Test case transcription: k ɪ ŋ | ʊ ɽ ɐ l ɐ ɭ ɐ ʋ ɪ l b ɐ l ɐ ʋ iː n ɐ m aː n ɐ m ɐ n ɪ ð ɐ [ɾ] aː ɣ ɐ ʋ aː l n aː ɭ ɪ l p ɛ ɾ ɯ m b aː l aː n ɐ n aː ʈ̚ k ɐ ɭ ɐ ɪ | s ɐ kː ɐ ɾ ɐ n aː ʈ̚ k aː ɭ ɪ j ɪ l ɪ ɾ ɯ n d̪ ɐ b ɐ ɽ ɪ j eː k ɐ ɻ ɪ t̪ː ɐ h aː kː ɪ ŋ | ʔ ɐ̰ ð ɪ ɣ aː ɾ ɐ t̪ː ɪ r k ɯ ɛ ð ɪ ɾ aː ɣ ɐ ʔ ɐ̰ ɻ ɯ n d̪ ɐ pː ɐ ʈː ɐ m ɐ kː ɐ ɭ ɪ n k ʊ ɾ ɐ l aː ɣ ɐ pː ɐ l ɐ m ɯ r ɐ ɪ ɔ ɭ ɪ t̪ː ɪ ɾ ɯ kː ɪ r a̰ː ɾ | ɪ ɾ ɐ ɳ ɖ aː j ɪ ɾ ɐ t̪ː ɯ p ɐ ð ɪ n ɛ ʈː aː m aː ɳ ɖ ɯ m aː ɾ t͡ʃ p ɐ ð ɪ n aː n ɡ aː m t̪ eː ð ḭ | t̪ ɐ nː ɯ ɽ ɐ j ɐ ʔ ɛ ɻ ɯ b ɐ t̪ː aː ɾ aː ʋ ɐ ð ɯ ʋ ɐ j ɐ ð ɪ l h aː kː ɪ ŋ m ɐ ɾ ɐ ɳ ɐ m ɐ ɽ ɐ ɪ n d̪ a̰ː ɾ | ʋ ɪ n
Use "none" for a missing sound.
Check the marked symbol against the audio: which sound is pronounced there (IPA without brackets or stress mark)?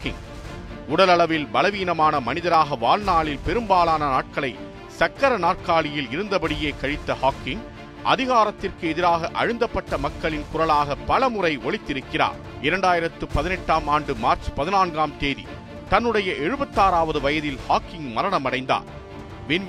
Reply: ɾ